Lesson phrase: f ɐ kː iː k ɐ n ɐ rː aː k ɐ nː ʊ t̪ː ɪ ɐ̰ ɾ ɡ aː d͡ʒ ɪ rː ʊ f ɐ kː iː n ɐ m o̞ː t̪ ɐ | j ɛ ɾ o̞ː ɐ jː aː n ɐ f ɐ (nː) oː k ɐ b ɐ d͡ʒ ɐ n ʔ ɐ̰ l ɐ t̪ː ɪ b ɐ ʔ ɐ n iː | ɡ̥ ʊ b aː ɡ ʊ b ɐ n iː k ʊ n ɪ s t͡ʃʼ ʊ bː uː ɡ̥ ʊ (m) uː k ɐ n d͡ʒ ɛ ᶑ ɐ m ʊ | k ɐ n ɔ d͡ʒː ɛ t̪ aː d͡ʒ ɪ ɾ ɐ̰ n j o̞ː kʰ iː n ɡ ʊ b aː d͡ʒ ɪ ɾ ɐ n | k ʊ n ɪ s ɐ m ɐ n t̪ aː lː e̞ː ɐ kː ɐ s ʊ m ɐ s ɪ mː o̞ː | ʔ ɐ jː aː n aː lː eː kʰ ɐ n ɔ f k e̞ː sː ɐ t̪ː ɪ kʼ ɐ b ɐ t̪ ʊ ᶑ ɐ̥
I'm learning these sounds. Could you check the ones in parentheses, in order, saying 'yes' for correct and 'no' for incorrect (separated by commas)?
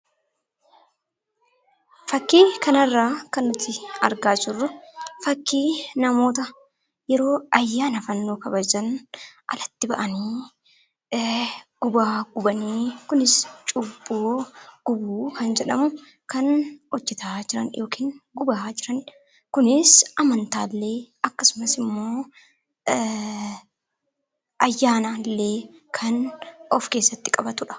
yes, no